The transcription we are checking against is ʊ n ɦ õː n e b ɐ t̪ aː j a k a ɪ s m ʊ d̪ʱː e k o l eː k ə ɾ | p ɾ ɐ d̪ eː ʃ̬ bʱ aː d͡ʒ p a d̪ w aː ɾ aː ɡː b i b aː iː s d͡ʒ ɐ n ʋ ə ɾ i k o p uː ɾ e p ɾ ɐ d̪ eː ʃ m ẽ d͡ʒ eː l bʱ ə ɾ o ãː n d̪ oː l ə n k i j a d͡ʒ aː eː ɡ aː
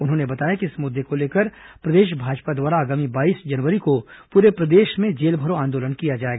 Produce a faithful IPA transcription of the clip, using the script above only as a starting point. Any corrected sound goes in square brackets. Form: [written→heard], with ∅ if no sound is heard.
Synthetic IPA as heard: ʊ n ɦ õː n e b ɐ t̪ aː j a k [a→i] ɪ s m ʊ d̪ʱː e k o l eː k ə ɾ | p ɾ ɐ d̪ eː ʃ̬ bʱ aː d͡ʒ p a d̪ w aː ɾ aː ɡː [b→m] i b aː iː s d͡ʒ ɐ n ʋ ə ɾ i k o p uː ɾ e p ɾ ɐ d̪ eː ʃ m ẽ d͡ʒ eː l bʱ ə ɾ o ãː n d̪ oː l ə n k i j a d͡ʒ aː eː ɡ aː

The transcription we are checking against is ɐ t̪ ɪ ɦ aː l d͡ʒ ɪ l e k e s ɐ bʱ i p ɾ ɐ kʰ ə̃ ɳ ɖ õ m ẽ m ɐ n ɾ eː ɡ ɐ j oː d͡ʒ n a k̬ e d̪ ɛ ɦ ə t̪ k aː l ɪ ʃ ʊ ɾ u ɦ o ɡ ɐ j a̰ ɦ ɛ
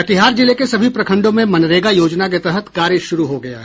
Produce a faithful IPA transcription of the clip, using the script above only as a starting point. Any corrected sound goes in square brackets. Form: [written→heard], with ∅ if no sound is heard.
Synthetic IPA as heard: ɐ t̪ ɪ ɦ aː [l→ɾ] d͡ʒ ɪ l e k e s ɐ bʱ i p ɾ ɐ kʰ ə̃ ɳ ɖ õ m ẽ m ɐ n ɾ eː ɡ [ɐ→a] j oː d͡ʒ n a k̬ e [d̪→t̪] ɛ ɦ ə t̪ k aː [l→ɾ] ɪ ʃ ʊ ɾ u ɦ o ɡ ɐ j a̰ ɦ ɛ

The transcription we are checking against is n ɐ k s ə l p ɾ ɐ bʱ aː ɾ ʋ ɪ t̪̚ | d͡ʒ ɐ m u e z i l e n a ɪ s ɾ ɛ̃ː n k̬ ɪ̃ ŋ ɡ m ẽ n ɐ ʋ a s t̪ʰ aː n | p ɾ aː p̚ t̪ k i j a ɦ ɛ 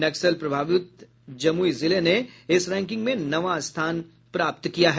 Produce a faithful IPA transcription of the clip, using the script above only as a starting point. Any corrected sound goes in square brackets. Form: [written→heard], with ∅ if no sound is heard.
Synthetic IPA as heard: n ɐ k s ə l p ɾ ɐ bʱ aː [ɾ→∅] ʋ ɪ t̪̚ | d͡ʒ ɐ m u [e→i] z [i→ɪ] l e n [a→e] ɪ s ɾ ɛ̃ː [n→ŋ] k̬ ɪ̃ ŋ ɡ m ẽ n ɐ ʋ a s t̪ʰ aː n | p ɾ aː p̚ t̪ k i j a ɦ ɛ

